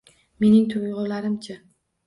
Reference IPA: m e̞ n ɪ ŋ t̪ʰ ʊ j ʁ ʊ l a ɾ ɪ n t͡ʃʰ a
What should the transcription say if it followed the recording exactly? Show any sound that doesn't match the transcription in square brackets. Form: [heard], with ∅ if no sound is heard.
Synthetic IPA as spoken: m e̞ n ɪ ŋ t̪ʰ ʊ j ʁ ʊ l a ɾ ɪ [m] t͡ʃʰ a